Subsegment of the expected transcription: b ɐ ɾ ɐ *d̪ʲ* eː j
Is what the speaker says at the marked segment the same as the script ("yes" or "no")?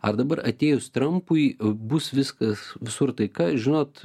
no